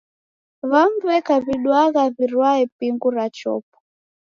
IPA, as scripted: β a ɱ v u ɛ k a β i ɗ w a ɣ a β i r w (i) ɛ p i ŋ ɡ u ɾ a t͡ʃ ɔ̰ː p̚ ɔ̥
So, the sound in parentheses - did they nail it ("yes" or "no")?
no